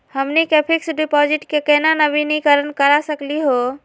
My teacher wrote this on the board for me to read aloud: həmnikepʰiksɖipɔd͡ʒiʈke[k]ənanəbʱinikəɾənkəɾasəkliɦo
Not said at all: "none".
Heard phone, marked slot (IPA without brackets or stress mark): k